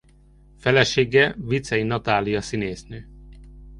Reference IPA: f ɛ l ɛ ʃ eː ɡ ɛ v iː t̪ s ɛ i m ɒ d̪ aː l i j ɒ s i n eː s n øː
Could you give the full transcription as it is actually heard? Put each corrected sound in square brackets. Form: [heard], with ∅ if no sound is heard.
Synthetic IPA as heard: f ɛ l ɛ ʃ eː ɡ ɛ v [i] t̪ s ɛ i [n] ɒ [t̪] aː l i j ɒ s i n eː s n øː

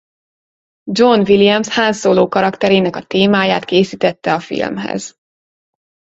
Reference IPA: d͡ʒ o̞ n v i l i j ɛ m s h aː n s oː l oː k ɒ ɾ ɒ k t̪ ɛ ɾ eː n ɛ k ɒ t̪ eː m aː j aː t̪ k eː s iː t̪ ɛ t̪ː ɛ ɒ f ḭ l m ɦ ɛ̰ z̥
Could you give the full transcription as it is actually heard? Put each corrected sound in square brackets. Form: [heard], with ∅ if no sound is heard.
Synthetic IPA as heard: d͡ʒ o̞ n v i l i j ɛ m s h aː n s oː l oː k ɒ ɾ ɒ k t̪ ɛ ɾ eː n ɛ k ɒ t̪ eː m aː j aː t̪ k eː s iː t̪ ɛ t̪ː ɛ ɒ f ḭ l m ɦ ɛ̰ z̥

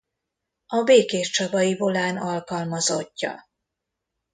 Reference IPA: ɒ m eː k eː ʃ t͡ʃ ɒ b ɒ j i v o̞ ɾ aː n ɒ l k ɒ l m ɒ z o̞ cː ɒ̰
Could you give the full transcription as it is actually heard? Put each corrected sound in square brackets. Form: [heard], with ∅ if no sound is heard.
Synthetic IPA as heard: ɒ [b] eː k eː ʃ t͡ʃ ɒ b ɒ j i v o̞ [l] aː n ɒ l k ɒ l m ɒ z o̞ cː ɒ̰

